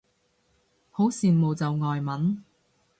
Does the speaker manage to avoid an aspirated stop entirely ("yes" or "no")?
yes